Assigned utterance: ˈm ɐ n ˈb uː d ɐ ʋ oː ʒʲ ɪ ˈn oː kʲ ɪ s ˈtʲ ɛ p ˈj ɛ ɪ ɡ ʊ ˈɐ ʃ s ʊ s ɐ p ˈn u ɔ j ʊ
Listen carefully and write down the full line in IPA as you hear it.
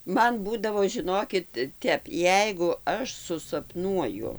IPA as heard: ˈm ɐ n ˈb uː d ɐ ʋ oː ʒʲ ɪ ˈn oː kʲ ɪ t ˈtʲ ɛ p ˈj ɛ ɪ ɡ ʊ ˈɐ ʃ s ʊ s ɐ p ˈn u ɔ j ʊ

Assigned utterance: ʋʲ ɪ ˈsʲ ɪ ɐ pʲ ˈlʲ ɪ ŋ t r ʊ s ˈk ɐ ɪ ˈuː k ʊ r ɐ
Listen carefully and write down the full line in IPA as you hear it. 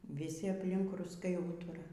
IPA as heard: ʋʲ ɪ ˈsʲ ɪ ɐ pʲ ˈlʲ ɪ ŋ k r ʊ s ˈk ɐ ɪ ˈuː t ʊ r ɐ

